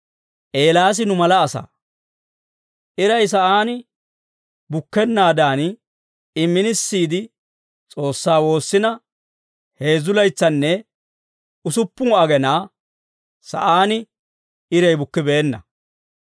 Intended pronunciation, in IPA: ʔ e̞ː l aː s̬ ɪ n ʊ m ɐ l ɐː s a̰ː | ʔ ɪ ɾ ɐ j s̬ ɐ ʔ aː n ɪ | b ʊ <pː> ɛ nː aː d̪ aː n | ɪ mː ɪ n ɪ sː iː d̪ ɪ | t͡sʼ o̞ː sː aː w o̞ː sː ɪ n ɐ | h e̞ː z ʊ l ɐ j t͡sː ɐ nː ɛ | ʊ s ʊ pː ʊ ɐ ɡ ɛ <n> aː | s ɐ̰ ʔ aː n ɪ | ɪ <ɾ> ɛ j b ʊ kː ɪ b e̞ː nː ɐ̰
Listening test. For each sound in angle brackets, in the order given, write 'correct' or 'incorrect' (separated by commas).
incorrect, correct, correct